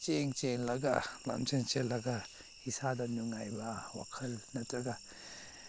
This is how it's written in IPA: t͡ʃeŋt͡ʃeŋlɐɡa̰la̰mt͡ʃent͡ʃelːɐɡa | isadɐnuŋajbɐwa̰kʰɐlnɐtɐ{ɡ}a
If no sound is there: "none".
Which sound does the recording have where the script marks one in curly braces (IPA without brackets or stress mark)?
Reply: ɡ